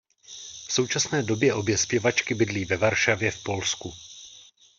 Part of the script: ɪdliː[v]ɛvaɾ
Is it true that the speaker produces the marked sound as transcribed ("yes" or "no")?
yes